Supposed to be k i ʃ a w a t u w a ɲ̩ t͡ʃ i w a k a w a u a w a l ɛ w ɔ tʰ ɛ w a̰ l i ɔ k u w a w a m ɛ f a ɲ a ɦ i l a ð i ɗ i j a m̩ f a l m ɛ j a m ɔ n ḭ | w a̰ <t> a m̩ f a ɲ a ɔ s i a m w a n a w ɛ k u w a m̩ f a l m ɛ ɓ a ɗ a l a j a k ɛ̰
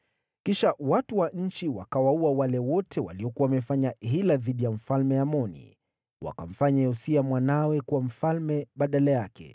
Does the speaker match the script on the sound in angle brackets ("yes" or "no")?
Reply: no